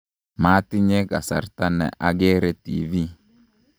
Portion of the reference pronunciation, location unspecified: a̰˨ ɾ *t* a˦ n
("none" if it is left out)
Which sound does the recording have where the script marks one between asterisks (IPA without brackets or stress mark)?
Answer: t